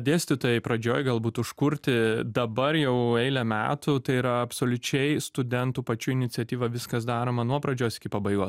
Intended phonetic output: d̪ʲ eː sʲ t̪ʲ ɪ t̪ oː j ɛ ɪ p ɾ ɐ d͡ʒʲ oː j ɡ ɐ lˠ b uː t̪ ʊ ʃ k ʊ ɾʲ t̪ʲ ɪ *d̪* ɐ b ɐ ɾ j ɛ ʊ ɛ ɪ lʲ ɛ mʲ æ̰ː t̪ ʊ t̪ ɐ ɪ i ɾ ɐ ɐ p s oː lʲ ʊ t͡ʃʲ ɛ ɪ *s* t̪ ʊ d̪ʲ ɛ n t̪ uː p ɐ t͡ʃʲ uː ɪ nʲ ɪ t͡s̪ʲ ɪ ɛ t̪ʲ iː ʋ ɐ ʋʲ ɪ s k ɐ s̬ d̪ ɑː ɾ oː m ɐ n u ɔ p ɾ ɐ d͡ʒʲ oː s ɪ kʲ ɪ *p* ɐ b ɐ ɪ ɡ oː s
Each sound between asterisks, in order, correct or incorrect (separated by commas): correct, correct, correct